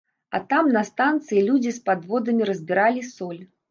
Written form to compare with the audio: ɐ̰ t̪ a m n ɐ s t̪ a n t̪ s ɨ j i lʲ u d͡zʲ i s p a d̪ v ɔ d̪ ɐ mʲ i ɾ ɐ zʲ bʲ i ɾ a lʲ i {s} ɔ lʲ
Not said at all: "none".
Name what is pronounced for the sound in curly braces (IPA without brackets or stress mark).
s